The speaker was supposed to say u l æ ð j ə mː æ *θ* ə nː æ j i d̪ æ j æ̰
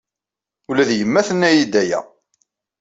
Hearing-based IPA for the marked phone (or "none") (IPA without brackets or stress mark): θ